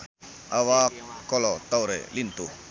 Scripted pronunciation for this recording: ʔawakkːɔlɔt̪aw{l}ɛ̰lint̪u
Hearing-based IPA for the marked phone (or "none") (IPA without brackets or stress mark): ɾ